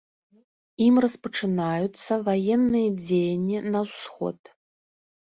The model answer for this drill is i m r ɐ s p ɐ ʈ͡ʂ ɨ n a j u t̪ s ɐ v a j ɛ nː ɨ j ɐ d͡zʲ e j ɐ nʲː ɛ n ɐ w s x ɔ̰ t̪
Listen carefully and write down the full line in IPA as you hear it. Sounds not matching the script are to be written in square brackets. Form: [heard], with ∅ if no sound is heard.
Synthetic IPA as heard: i m r ɐ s p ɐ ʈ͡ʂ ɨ n a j u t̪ s ɐ v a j ɛ nː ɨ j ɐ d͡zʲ e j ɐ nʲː [i] n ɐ w s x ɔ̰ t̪